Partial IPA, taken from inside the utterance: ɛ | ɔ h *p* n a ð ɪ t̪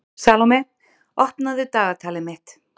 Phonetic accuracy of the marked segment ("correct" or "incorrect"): correct